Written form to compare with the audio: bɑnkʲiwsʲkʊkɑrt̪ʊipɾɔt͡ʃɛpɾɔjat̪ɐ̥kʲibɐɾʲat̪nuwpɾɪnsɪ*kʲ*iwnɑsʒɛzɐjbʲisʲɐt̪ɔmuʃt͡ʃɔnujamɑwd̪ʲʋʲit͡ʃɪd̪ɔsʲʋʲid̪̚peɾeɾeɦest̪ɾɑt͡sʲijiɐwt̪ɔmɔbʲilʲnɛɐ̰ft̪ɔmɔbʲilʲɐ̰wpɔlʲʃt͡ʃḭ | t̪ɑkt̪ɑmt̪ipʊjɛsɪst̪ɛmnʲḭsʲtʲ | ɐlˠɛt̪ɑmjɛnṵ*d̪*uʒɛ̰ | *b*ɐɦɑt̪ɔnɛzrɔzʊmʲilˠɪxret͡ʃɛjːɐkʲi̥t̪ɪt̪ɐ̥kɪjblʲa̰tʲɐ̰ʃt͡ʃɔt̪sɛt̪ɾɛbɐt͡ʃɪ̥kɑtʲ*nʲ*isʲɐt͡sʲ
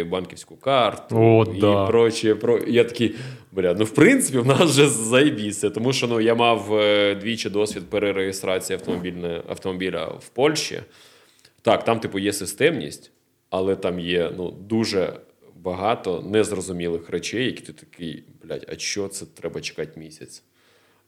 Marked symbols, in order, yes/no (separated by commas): no, yes, yes, no